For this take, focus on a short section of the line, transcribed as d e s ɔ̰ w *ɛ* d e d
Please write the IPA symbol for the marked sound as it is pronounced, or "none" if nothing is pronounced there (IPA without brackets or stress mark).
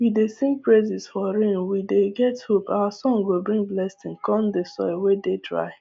e